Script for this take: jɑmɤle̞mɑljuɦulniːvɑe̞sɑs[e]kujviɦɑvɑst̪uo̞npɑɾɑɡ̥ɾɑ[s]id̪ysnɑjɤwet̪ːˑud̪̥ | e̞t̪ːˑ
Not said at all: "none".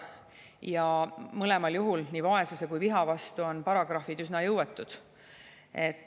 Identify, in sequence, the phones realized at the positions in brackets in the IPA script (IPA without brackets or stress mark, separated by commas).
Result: e, f